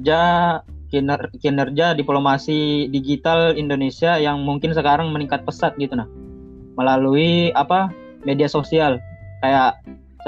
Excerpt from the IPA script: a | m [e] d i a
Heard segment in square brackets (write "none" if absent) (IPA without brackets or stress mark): e